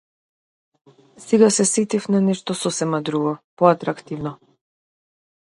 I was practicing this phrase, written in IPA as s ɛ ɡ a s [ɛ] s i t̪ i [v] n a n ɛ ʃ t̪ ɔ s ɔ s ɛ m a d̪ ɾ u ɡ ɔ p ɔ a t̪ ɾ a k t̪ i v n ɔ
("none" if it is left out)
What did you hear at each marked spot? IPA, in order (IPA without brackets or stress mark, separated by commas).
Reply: ɛ, f